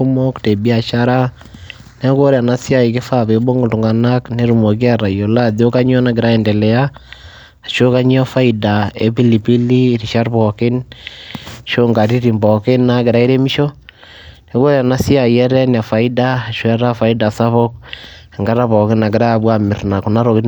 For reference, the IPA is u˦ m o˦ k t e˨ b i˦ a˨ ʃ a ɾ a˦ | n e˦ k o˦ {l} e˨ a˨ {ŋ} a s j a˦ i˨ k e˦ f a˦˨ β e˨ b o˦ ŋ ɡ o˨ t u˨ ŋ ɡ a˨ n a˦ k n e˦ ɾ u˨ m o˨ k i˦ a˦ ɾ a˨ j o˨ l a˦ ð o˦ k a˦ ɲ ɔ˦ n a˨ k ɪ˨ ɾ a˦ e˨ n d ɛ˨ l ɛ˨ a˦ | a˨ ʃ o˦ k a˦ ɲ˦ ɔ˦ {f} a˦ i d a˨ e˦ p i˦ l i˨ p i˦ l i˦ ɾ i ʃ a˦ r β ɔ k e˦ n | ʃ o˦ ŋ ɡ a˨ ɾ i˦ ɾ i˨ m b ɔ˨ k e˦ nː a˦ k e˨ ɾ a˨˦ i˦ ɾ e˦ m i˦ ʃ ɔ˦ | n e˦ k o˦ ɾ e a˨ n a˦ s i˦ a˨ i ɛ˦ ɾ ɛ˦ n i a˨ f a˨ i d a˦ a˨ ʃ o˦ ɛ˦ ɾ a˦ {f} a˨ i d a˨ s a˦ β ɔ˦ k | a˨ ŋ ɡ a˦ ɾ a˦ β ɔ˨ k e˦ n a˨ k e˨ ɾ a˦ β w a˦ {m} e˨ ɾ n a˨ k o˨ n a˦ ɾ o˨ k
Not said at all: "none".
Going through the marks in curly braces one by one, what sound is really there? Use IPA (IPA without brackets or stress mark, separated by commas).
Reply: ɾ, n, f, f, m